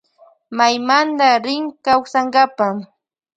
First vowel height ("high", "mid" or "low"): low